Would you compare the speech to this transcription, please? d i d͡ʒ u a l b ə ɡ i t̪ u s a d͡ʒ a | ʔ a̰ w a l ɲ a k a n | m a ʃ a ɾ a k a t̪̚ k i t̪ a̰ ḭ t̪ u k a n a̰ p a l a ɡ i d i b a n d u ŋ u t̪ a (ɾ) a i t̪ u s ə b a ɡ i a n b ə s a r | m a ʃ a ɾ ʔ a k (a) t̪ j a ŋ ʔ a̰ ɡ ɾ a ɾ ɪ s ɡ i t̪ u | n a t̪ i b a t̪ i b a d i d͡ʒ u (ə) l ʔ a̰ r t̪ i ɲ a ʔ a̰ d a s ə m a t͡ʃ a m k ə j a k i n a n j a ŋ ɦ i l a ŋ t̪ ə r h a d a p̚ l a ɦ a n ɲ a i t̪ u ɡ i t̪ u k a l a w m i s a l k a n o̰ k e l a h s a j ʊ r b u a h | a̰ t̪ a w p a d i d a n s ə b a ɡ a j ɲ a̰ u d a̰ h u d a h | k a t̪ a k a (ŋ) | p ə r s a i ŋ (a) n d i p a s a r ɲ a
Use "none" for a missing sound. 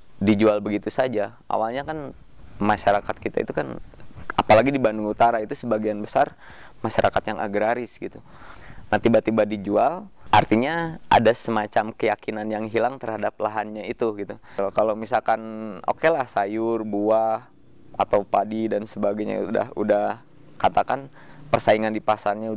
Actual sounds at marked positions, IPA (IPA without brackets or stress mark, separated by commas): ɾ, a, a, n, a